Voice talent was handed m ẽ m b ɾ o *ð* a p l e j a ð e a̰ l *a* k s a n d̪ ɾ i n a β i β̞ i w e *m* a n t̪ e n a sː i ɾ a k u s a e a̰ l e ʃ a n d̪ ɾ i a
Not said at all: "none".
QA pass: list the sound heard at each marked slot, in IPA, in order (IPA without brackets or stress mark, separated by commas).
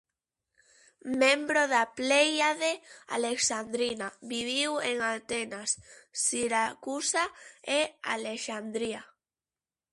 ð, e, ŋ